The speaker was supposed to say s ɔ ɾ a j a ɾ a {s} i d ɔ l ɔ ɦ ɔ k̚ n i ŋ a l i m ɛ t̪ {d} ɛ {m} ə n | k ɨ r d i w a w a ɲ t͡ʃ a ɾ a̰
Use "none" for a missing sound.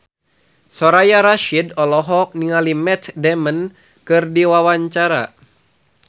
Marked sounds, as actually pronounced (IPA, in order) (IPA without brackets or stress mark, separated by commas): ʃ, d, m